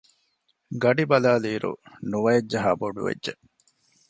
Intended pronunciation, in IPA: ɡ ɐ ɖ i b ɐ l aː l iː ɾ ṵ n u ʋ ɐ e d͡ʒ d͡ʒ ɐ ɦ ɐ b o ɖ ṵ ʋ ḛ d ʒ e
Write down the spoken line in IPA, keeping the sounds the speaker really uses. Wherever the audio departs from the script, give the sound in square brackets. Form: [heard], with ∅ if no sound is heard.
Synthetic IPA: ɡ ɐ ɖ i b ɐ l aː l iː ɾ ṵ n u ʋ ɐ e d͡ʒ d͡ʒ ɐ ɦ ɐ b o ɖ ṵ ʋ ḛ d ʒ e